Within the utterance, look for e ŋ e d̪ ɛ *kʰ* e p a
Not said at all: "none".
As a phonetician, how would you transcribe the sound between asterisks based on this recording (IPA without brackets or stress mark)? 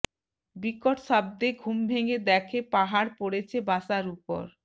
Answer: kʰ